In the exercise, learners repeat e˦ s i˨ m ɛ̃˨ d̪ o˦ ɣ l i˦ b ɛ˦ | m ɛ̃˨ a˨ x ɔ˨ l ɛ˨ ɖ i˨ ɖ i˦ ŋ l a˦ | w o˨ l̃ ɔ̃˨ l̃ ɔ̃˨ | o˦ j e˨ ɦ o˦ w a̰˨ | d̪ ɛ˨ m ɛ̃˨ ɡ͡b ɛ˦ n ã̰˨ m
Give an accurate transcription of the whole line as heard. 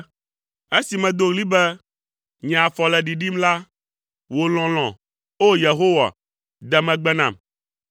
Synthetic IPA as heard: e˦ s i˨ m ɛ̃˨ d̪ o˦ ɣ l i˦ b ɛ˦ | ɲ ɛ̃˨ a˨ f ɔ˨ l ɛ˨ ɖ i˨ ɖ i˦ m l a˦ | w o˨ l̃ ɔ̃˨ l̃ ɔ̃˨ | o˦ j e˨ ɦ o˦ w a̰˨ | d̪ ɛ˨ m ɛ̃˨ ɡ͡b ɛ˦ n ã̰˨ m